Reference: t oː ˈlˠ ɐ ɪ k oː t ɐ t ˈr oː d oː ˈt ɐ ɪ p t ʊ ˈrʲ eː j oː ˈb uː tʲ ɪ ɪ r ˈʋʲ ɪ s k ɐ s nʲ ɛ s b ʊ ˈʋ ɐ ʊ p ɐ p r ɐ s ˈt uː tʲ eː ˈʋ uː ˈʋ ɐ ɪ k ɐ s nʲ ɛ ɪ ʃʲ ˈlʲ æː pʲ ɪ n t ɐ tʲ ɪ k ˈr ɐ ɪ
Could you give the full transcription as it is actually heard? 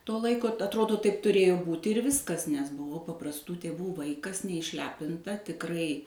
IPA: t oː ˈlˠ ɐ ɪ k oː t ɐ t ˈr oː d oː ˈt ɐ ɪ p t ʊ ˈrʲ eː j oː ˈb uː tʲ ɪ ɪ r ˈʋʲ ɪ s k ɐ s nʲ ɛ s b ʊ ˈʋ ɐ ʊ p ɐ p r ɐ s ˈt uː tʲ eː ˈʋ uː ˈʋ ɐ ɪ k ɐ s nʲ ɛ ɪ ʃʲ ˈlʲ æː pʲ ɪ n t ɐ tʲ ɪ k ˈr ɐ ɪ

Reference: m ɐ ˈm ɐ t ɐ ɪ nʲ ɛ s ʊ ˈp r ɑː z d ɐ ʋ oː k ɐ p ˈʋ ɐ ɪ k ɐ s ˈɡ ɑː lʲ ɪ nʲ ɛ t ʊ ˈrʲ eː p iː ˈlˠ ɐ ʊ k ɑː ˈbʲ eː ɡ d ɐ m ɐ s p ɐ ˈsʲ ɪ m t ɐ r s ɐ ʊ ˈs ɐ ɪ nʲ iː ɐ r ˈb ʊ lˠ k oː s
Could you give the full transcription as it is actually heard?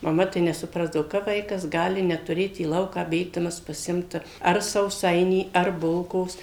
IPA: m ɐ ˈm ɐ t ɐ ɪ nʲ ɛ s ʊ ˈp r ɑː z d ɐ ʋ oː k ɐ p ˈʋ ɐ ɪ k ɐ s ˈɡ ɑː lʲ ɪ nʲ ɛ t ʊ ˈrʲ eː t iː ˈlˠ ɐ ʊ k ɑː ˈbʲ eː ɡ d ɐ m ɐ s p ɐ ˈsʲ ɪ m t ɐ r s ɐ ʊ ˈs ɐ ɪ nʲ iː ɐ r ˈb ʊ lˠ k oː s

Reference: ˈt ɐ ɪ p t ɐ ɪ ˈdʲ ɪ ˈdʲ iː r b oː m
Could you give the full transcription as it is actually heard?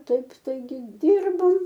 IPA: ˈt ɐ ɪ p t ɐ ɪ ˈɡʲ ɪ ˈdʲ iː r b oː m

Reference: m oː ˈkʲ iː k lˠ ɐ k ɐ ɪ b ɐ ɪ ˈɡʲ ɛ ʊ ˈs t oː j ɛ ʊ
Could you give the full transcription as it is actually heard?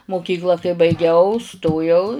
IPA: m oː ˈkʲ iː k lˠ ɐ k ɐ ɪ b ɐ ɪ ˈɡʲ ɛ ʊ ˈs t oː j ɛ ʊ

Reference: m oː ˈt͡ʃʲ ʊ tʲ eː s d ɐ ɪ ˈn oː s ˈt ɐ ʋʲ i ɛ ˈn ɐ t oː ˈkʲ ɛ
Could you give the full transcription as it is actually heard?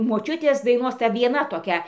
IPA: m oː ˈt͡ʃʲ ʊ tʲ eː s d ɐ ɪ ˈn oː s ˈt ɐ ʋʲ i ɛ ˈn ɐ t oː ˈkʲ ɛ

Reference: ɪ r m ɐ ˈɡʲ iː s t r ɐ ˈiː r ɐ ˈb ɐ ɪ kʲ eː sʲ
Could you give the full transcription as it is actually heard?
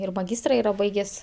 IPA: ɪ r m ɐ ˈɡʲ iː s t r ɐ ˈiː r ɐ ˈb ɐ ɪ ɡʲ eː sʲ

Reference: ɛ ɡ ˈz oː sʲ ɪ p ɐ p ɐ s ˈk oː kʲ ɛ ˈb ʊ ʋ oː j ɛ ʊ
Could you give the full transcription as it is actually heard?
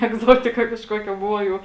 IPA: ɛ ɡ ˈz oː tʲ ɪ k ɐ k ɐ ʃ ˈk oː kʲ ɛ ˈb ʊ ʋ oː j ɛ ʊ

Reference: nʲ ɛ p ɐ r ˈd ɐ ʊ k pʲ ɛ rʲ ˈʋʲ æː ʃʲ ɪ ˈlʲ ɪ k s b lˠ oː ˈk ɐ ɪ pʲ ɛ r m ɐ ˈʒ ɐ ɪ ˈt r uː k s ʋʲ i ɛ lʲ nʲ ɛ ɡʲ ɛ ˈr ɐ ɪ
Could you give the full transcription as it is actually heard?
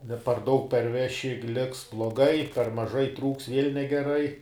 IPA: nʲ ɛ p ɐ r ˈd ɐ ʊ k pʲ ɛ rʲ ˈʋʲ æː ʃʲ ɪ ˈlʲ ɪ k s b lˠ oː ˈɡ ɐ ɪ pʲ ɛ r m ɐ ˈʒ ɐ ɪ ˈt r uː k s ʋʲ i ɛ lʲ nʲ ɛ ɡʲ ɛ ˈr ɐ ɪ

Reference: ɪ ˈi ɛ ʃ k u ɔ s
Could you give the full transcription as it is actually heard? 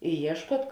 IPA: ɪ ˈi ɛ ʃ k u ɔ t

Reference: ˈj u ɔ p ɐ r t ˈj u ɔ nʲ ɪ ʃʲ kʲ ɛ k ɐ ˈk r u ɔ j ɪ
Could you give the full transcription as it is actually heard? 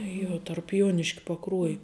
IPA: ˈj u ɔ t ɐ r p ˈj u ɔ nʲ ɪ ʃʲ kʲ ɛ p ɐ ˈk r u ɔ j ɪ

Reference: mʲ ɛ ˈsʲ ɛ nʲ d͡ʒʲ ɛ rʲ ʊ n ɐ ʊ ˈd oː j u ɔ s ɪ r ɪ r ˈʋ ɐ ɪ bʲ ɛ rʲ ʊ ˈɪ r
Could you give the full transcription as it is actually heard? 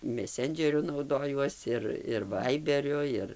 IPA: mʲ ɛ ˈsʲ ɛ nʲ d͡ʒʲ ɛ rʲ ʊ n ɐ ʊ ˈd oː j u ɔ s ɪ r ɪ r ˈʋ ɐ ɪ bʲ ɛ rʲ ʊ ˈɪ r

